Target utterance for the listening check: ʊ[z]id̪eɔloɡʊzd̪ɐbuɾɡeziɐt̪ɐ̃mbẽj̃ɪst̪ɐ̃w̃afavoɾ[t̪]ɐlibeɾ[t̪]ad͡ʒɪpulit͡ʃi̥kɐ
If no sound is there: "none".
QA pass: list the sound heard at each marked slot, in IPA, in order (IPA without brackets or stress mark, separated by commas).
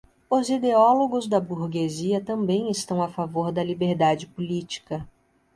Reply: z, d̪, d̪